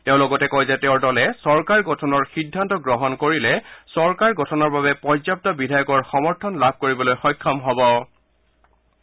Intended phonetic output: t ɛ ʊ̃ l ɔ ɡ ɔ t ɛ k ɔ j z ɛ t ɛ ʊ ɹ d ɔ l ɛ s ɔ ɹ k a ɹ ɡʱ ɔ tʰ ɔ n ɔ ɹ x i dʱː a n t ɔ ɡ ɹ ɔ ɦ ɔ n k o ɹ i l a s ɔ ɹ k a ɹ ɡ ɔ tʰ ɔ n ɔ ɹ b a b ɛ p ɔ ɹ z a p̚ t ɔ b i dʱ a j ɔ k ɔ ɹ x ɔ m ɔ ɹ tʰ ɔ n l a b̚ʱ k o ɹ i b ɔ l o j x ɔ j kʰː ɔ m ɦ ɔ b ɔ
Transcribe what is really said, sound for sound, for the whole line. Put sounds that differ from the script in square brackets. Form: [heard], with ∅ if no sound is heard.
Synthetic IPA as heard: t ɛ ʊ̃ l ɔ ɡ ɔ t ɛ k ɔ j z ɛ t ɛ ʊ ɹ d ɔ l ɛ s ɔ ɹ k a ɹ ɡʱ ɔ tʰ ɔ n ɔ ɹ x i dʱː a n t ɔ ɡ ɹ ɔ ɦ ɔ n k o ɹ i l [ɛ] s ɔ ɹ k a ɹ ɡ ɔ tʰ ɔ n ɔ ɹ b a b ɛ p ɔ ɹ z a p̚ t ɔ b i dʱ a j ɔ k ɔ ɹ x ɔ m ɔ ɹ tʰ ɔ n l a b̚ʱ k o ɹ i b ɔ l o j x ɔ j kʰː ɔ m ɦ ɔ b ɔ